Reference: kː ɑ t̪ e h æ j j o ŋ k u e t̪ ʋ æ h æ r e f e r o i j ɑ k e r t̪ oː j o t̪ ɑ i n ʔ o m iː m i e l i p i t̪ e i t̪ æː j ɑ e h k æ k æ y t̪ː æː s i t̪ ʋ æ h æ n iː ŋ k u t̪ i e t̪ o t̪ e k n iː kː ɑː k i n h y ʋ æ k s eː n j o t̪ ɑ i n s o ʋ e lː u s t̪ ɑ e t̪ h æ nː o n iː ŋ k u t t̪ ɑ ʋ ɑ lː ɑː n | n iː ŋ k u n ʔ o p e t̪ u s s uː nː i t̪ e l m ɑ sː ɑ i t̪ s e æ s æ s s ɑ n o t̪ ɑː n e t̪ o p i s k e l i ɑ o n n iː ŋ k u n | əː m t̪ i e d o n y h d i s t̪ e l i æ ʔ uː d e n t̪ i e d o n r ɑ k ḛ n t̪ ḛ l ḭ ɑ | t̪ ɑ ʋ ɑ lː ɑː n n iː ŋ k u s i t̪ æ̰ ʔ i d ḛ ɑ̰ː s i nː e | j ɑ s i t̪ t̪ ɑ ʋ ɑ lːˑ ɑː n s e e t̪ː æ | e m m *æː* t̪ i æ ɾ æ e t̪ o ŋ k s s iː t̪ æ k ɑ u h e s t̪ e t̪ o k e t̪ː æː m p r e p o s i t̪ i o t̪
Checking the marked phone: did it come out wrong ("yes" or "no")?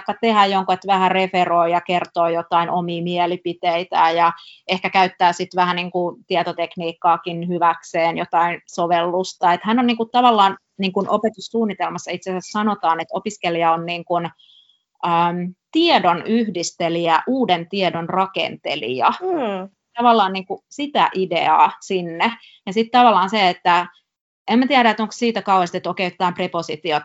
yes